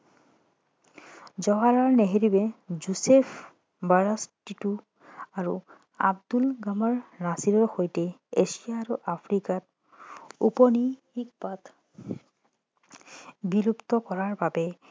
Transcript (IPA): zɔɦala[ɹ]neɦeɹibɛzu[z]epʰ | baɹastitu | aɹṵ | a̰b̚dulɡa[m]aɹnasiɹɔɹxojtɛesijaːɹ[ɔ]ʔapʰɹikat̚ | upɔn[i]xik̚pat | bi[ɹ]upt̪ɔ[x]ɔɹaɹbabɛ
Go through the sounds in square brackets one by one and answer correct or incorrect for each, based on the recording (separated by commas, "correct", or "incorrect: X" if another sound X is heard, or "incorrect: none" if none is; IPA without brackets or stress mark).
correct, incorrect: s, correct, incorrect: u, correct, incorrect: l, incorrect: k